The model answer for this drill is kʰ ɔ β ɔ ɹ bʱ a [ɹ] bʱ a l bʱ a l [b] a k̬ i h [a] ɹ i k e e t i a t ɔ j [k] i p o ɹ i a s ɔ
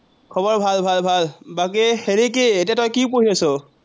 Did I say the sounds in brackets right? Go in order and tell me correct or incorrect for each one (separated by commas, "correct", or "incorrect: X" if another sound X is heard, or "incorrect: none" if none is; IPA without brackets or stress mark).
incorrect: l, correct, incorrect: e, correct